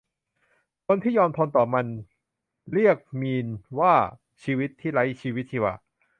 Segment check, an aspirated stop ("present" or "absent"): present